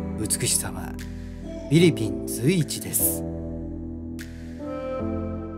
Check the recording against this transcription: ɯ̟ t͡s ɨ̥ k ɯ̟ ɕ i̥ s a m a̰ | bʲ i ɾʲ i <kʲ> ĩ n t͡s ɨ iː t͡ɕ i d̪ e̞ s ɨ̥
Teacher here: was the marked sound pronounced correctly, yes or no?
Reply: no